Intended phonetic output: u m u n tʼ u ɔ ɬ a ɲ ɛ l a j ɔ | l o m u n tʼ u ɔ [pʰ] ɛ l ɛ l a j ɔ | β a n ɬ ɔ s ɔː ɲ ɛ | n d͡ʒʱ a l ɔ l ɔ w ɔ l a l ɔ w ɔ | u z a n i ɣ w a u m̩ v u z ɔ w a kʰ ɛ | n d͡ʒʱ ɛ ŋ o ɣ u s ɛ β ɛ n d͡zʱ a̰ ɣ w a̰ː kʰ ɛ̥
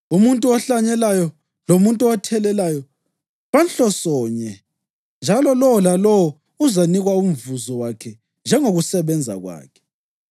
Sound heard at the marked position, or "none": tʰ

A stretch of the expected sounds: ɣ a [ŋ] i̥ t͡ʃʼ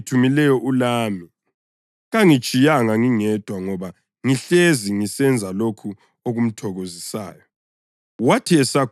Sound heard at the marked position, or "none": ŋ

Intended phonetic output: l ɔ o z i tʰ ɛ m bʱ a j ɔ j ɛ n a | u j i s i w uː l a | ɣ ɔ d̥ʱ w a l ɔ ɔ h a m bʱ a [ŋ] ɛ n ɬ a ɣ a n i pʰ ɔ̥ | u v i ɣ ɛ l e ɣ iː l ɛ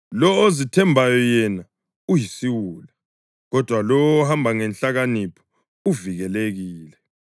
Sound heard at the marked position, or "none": ŋ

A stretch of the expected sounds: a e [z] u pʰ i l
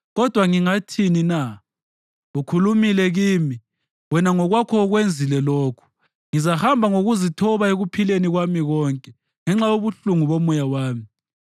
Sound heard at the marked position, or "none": ɣ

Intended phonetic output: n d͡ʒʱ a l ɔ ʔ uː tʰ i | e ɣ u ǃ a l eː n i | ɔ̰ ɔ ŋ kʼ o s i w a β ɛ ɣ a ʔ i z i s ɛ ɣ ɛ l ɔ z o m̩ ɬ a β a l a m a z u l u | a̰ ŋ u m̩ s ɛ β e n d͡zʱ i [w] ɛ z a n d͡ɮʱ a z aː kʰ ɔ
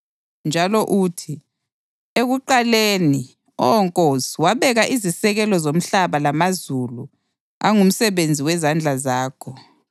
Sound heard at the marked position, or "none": w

